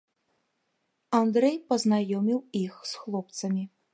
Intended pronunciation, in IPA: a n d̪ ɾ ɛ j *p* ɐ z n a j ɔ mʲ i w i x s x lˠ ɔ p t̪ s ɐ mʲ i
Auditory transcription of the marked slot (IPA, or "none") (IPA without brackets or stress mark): p